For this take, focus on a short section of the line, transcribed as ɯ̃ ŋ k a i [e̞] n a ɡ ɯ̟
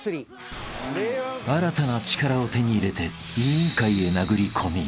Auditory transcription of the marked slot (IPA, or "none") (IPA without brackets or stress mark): e̞